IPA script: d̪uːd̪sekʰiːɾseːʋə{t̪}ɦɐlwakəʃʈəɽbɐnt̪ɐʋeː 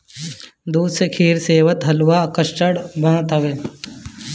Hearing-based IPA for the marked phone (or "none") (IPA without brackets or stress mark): t̪